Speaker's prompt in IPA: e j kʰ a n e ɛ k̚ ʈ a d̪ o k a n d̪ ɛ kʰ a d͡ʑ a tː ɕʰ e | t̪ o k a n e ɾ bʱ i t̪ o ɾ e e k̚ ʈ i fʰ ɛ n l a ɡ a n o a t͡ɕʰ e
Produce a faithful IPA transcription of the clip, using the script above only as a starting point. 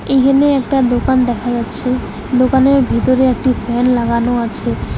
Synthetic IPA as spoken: e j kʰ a n e ɛ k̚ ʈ a d̪ o k a n d̪ ɛ kʰ a d͡ʑ a tː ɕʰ e | d̪ o k a n e ɾ bʱ i t̪ o ɾ e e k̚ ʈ i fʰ ɛ n l a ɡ a n o a t͡ɕʰ e